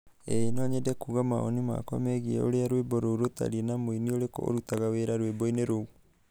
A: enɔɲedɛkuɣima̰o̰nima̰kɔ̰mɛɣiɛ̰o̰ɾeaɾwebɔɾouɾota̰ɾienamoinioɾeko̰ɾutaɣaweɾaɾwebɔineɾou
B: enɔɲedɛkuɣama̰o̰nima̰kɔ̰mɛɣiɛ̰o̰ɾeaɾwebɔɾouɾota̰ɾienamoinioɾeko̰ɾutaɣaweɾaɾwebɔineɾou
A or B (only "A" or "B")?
B